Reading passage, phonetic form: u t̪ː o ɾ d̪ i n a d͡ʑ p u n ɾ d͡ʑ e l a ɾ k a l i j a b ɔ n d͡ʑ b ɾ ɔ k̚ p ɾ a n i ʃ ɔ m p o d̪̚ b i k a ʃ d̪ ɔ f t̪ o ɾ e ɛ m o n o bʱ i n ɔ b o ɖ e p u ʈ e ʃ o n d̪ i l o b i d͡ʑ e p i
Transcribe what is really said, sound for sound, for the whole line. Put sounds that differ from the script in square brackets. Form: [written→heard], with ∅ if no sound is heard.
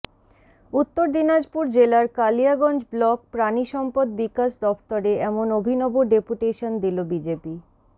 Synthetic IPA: u t̪ː o ɾ d̪ i n a d͡ʑ p u [n→∅] ɾ d͡ʑ e l a ɾ k a l i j a [b→ɡ] ɔ n d͡ʑ b [ɾ→l] ɔ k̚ p ɾ a n i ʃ ɔ m p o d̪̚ b i k a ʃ d̪ ɔ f t̪ o ɾ e ɛ m o n o bʱ i n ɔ b o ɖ e p u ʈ e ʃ o n d̪ i l o b i d͡ʑ e p i